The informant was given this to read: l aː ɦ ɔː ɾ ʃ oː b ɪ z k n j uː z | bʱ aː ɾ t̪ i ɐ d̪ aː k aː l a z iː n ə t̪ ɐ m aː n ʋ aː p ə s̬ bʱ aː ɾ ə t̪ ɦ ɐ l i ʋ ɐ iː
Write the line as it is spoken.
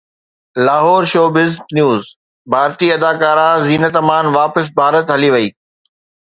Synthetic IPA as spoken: l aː ɦ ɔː ɾ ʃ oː b ɪ z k n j uː z | bʱ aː ɾ t̪ i ɐ d̪ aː k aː ɾ a z iː n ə t̪ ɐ m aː n ʋ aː p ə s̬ bʱ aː ɾ ə t̪ ɦ ɐ l i ʋ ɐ iː